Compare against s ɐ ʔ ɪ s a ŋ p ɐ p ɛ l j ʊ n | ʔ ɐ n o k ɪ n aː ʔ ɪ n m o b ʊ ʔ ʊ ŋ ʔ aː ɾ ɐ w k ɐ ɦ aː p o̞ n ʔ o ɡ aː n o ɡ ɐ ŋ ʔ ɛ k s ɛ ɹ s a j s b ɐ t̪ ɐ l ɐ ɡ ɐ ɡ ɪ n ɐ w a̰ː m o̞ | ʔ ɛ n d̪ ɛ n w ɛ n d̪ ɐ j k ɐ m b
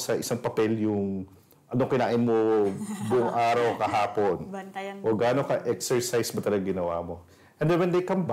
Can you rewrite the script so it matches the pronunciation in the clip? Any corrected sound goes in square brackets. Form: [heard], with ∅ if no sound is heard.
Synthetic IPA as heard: s ɐ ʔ ɪ s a ŋ p ɐ p ɛ l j ʊ [ŋ] | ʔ ɐ n o k ɪ n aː ʔ ɪ n m o b ʊ ʔ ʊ ŋ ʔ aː ɾ ɐ w k ɐ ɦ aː p o̞ n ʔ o ɡ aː n o [k] ɐ [∅] ʔ ɛ k s ɛ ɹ s a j s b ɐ t̪ ɐ l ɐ ɡ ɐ ɡ ɪ n ɐ w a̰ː m o̞ | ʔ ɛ n d̪ ɛ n w ɛ n d̪ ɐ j k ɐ m b